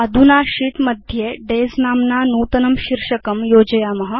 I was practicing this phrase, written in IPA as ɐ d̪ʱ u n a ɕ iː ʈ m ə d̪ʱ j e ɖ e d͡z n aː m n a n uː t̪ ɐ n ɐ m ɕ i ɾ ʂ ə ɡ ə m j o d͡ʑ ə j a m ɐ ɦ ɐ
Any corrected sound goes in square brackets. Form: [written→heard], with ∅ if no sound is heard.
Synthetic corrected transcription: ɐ d̪ʱ u n a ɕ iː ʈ m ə d̪ʱ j e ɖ e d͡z n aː m n a n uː t̪ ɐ n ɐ m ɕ i ɾ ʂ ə [ɡ→k] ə m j o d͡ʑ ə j a m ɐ ɦ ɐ